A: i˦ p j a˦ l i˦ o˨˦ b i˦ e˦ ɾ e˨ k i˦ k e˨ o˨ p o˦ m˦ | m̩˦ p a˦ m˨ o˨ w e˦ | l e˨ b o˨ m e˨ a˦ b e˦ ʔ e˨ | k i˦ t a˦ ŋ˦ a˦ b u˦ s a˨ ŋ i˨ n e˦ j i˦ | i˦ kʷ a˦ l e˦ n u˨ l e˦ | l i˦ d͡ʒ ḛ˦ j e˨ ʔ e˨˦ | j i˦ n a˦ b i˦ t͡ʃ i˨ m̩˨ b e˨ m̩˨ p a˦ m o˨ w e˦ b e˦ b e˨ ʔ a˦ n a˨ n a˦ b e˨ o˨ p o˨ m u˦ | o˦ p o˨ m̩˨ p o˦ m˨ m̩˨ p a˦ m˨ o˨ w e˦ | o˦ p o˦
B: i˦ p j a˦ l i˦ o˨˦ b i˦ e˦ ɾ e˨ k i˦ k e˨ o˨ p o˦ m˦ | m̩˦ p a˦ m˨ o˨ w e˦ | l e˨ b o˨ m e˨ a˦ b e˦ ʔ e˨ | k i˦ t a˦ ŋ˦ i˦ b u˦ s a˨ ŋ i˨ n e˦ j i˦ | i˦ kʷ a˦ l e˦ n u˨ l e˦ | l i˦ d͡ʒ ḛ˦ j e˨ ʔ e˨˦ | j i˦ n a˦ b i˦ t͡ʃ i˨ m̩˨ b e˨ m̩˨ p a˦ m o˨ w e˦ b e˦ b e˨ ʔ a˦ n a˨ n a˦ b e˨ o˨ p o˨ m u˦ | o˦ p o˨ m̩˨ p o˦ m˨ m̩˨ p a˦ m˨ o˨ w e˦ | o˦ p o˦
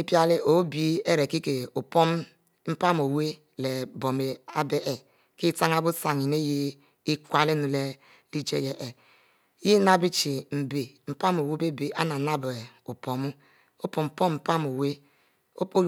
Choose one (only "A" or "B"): A